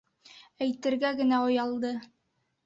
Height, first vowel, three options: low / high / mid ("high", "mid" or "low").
low